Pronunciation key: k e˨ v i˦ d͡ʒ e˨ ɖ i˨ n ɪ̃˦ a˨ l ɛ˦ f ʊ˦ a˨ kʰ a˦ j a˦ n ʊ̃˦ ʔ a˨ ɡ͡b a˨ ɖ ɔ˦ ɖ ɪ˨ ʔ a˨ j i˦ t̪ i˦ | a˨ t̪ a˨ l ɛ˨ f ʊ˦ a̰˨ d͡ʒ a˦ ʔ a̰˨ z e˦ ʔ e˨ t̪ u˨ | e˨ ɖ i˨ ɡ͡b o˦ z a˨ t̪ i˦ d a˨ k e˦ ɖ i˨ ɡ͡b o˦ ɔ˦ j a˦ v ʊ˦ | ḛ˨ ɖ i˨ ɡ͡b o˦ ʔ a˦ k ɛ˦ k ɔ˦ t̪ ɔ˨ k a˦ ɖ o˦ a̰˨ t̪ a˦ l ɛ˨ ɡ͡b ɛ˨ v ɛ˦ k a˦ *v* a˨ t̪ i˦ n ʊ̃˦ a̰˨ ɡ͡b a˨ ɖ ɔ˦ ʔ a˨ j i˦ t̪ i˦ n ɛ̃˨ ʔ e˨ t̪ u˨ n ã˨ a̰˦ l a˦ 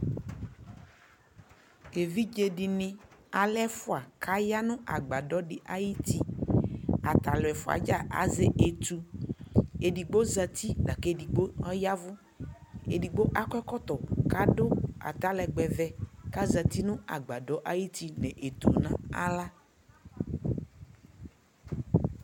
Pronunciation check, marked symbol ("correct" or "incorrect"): incorrect